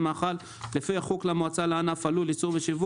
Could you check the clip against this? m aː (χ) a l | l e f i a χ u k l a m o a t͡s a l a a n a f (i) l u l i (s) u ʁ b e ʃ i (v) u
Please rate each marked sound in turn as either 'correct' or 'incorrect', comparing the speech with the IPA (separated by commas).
correct, incorrect, incorrect, correct